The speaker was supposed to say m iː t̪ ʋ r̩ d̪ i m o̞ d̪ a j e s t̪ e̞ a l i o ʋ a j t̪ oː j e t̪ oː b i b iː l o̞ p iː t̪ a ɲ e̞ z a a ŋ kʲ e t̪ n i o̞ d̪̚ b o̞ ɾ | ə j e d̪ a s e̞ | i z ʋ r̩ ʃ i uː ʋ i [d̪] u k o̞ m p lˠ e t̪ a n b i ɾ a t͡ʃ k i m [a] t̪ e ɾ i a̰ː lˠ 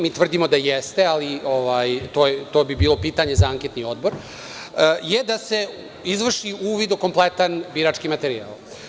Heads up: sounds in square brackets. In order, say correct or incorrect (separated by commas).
correct, correct